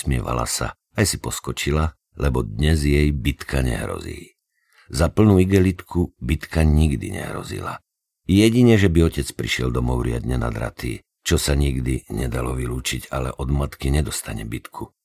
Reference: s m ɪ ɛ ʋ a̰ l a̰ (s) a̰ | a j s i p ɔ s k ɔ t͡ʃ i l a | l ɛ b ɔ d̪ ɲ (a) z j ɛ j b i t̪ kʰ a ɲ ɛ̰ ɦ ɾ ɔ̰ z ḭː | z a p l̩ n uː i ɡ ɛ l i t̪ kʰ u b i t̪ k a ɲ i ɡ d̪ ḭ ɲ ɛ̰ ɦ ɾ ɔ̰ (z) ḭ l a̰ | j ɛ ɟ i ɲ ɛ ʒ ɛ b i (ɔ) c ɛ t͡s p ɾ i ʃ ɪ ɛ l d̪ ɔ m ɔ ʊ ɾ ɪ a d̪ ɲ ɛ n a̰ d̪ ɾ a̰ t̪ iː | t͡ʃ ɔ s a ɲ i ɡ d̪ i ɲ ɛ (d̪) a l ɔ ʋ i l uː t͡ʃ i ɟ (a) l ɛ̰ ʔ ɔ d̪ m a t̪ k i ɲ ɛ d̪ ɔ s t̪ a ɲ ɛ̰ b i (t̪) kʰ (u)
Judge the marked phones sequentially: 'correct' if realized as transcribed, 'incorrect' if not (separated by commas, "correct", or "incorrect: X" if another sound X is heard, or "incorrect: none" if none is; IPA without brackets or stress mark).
correct, incorrect: ɛ, correct, correct, correct, correct, correct, correct